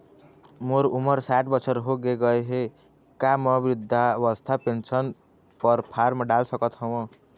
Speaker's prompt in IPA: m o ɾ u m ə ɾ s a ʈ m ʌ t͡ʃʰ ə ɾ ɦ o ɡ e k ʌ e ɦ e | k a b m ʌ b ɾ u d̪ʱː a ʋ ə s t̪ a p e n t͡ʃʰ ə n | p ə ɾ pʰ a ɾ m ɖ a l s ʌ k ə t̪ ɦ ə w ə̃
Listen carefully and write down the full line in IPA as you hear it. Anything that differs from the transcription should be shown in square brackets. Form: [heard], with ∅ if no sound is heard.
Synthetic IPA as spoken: m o ɾ u m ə ɾ s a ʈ [b] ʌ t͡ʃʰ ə ɾ ɦ o ɡ e [ɡ] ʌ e ɦ e | k a [∅] m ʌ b ɾ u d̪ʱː a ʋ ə s [t̪ʰ] a p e n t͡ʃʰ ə n | p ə ɾ pʰ a ɾ m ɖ a l s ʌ k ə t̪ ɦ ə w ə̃